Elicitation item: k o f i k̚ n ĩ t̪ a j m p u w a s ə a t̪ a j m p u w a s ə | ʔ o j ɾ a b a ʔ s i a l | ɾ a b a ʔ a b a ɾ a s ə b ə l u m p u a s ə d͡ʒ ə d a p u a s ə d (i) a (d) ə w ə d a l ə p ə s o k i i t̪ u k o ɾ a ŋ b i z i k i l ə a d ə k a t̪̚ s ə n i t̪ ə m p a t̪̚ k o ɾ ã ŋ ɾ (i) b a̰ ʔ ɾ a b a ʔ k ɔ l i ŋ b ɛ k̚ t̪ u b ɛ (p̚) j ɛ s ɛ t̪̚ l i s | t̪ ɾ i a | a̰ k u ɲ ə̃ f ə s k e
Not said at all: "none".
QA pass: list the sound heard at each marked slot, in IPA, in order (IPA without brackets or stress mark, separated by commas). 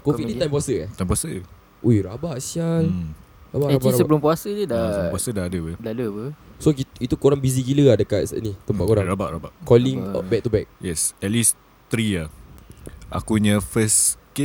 a, d, a, k̚